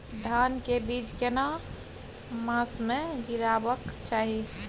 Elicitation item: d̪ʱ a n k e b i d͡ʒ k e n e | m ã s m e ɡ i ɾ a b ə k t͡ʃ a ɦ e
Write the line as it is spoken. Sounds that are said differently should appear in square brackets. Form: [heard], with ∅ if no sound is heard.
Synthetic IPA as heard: d̪ʱ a n k e b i d͡ʒ k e n [a] | m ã s m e ɡ i ɾ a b ə k t͡ʃ a ɦ [i]